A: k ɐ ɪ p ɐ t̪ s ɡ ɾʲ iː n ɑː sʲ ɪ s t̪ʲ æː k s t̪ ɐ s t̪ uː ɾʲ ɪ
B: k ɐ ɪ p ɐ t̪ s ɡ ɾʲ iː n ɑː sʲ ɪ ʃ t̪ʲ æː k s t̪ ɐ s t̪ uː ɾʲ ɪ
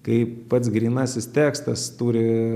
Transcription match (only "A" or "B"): A